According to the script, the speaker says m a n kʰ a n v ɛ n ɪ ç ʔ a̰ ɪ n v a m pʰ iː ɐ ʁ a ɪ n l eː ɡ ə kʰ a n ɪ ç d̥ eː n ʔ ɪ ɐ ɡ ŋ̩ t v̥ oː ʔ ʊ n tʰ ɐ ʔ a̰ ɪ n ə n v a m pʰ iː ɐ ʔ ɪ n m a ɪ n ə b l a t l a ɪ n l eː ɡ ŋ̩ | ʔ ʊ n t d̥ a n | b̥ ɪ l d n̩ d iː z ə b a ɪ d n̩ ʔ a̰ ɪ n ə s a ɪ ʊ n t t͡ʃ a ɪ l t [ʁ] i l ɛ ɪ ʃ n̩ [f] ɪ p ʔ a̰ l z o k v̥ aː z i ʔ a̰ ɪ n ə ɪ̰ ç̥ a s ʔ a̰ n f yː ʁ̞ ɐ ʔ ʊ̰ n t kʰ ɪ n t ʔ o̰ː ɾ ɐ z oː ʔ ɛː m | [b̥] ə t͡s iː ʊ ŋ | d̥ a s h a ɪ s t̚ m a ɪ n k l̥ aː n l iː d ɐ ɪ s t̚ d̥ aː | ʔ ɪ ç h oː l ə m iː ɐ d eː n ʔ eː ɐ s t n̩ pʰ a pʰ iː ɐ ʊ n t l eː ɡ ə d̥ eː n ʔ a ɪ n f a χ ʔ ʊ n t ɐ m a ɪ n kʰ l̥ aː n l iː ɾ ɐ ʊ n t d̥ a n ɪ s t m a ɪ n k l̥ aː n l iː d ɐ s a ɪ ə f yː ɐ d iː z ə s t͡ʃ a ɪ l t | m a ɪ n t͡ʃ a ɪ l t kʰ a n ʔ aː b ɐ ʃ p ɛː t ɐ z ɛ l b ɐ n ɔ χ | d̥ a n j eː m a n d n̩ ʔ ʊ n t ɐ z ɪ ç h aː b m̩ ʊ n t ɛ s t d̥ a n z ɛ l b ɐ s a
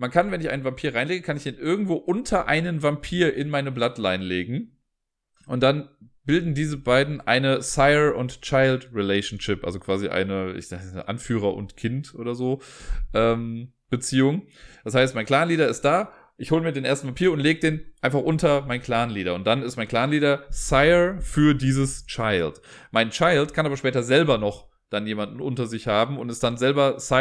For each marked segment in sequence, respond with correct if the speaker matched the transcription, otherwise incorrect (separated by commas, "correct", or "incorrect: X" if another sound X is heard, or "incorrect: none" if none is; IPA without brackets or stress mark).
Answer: correct, incorrect: ʃ, correct